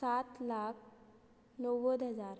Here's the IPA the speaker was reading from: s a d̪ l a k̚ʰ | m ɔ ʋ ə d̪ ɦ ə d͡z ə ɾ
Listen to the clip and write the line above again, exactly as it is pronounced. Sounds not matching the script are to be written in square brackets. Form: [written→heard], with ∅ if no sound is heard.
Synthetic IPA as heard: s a [d̪→t̪] l a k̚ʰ | [m→n] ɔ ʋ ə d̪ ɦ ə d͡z [ə→a] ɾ